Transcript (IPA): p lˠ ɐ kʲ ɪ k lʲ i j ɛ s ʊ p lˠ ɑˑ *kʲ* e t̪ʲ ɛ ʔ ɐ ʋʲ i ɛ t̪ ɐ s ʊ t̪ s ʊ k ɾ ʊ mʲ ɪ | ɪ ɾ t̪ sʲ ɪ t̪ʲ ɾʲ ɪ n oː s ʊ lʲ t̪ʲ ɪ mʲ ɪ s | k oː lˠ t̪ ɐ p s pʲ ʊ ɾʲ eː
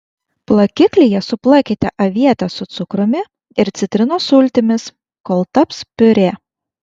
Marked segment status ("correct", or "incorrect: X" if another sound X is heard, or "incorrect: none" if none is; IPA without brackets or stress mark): correct